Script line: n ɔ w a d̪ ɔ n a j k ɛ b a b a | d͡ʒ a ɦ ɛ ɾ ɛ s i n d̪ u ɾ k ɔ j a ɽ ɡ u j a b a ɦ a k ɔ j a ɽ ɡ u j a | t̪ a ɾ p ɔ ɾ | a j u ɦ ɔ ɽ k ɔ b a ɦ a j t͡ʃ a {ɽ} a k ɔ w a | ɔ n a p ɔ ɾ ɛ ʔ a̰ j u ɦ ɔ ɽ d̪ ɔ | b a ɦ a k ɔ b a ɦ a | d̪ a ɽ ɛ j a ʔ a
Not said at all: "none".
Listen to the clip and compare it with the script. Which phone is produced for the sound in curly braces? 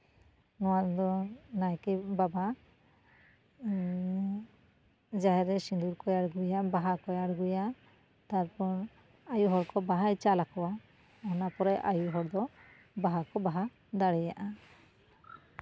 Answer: l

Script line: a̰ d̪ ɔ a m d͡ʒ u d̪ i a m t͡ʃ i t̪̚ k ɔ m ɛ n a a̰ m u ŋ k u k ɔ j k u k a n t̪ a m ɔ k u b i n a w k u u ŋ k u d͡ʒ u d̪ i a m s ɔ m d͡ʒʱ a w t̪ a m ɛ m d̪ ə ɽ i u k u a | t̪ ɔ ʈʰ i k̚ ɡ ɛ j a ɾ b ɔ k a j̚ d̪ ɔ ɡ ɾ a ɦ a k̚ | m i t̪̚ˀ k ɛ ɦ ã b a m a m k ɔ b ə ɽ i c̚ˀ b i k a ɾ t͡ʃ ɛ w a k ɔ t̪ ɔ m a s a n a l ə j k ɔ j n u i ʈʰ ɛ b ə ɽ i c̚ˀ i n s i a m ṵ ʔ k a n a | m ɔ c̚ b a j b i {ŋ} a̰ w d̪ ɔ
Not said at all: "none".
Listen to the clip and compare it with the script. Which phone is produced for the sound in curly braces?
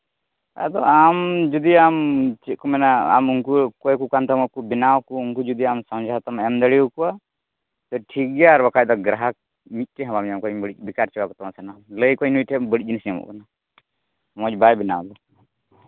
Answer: n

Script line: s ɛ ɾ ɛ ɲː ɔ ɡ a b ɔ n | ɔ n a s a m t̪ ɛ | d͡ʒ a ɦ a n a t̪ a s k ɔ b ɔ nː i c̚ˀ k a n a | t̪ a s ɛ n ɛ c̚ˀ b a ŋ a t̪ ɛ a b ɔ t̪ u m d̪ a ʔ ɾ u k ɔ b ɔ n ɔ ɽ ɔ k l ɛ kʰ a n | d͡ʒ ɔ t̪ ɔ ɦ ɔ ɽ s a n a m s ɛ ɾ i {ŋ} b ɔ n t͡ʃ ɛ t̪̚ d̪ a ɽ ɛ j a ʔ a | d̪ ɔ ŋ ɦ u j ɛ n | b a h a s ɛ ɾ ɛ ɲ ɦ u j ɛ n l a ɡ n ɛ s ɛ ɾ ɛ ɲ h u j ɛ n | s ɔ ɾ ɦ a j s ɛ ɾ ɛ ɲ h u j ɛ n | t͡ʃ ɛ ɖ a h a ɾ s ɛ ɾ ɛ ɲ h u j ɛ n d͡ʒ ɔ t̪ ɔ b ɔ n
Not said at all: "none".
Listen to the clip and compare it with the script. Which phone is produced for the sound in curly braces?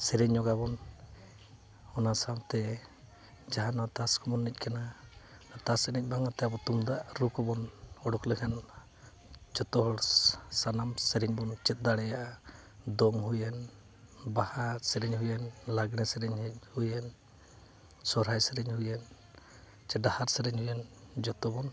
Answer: ɲ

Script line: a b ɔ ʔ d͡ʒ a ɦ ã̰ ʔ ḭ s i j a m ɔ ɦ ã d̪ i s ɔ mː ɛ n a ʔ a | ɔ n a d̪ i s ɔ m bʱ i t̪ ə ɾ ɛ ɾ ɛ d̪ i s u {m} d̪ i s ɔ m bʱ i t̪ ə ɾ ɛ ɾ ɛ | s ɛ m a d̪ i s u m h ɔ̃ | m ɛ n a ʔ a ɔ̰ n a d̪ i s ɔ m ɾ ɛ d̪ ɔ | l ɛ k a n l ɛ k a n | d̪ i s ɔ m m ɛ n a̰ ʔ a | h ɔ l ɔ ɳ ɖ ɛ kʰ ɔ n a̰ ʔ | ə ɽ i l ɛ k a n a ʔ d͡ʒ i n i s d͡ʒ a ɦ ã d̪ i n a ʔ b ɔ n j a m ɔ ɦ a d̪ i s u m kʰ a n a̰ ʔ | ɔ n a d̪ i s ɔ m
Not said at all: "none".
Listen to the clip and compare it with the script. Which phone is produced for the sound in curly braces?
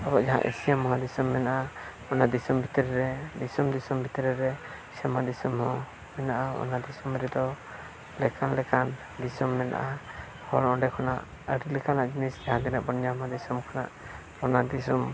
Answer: m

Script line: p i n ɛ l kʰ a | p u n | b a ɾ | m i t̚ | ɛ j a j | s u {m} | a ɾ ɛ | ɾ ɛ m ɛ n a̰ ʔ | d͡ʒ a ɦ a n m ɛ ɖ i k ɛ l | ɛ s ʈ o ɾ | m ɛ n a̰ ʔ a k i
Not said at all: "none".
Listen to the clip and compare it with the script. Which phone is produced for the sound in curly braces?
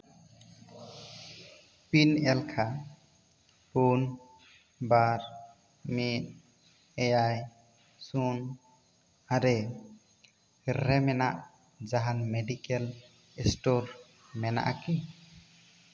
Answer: n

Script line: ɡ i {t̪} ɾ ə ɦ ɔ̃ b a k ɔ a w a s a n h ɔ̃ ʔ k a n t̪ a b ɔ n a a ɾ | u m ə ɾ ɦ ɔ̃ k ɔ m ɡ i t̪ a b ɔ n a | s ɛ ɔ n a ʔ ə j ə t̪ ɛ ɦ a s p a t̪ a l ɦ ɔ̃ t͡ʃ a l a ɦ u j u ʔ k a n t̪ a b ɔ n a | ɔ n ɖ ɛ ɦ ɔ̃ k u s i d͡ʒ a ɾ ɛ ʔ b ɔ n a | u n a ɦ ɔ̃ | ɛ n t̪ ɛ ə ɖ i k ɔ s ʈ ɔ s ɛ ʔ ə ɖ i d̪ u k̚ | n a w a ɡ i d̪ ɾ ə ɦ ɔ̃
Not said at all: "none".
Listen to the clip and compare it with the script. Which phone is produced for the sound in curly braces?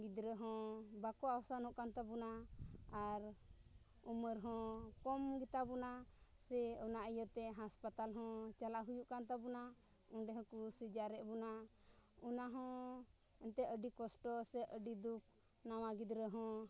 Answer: d̪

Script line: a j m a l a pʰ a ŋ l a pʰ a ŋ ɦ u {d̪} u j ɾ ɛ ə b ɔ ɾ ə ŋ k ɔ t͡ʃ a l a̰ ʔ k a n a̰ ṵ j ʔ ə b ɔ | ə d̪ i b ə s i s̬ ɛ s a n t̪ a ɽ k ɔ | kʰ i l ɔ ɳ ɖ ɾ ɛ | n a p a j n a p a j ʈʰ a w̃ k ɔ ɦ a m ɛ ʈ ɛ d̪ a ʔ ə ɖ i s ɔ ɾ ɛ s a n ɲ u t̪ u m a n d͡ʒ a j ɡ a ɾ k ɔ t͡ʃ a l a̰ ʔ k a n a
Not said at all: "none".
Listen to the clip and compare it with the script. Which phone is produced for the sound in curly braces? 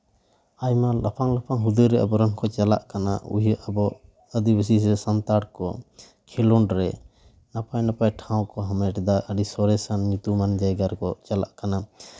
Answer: d̪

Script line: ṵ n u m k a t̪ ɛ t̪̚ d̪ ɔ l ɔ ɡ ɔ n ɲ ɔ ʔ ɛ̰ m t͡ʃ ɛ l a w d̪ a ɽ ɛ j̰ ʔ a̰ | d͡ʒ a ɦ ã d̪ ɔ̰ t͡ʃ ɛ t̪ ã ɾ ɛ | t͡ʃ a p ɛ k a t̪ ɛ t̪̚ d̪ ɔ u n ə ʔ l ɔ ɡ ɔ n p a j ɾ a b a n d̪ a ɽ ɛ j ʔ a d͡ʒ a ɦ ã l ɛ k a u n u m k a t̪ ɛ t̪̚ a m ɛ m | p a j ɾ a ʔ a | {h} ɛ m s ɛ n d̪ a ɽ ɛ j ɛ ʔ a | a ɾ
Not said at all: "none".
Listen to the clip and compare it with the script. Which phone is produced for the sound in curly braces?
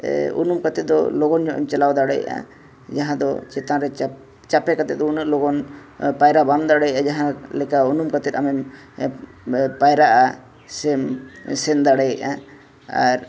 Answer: s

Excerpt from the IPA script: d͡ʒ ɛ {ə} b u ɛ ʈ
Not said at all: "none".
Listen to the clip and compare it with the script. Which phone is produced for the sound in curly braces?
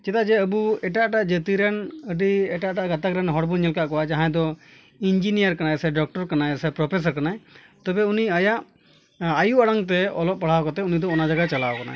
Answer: ə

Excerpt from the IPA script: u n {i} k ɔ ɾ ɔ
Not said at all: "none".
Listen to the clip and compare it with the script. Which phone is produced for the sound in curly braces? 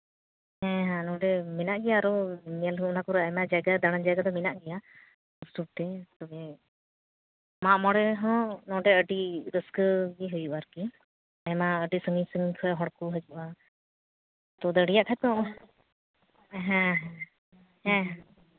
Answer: a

